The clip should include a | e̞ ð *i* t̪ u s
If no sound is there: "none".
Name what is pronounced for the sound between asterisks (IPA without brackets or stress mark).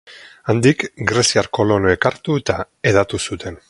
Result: a